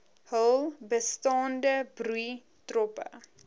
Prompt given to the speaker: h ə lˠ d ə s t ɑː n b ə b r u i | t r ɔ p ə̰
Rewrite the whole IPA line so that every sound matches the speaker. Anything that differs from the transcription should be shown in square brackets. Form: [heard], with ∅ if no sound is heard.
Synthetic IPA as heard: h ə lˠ [b] ə s t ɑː n [d] ə b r u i | t r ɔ p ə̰